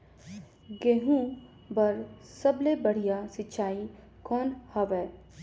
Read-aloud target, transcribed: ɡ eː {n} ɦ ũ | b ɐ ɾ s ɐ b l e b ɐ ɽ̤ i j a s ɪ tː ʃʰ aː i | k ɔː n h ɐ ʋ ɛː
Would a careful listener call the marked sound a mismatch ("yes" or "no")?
yes